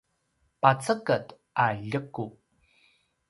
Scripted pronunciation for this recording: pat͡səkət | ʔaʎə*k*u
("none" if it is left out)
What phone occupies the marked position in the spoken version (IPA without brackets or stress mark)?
k